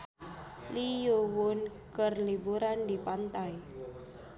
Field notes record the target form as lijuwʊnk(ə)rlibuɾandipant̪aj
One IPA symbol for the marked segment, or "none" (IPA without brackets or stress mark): ə